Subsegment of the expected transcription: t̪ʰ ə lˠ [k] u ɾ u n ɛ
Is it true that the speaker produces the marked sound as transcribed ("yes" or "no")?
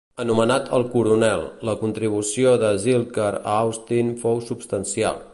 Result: yes